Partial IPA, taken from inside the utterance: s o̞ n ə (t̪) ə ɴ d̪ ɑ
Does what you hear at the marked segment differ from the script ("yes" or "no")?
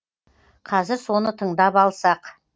yes